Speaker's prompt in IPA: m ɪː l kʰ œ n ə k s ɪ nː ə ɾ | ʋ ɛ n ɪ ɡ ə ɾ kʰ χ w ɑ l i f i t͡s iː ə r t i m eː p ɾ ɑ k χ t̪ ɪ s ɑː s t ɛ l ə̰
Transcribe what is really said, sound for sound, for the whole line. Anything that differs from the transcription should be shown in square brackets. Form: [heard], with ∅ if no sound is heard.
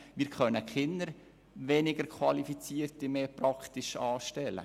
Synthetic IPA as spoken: m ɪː [ɾ] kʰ œ n ə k [χ] ɪ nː ə ɾ | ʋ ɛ n ɪ ɡ ə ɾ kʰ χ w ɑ l i f i t͡s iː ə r t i m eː p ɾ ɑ k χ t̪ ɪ [ʃ] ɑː [ʃ] t ɛ l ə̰